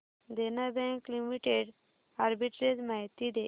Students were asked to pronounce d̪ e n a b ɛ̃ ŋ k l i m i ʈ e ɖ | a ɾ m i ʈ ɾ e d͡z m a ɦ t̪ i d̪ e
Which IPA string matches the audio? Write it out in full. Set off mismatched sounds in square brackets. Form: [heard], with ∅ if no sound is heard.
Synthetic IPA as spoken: d̪ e n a b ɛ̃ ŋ k l i m i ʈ e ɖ | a ɾ [b] i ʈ ɾ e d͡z m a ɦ t̪ i d̪ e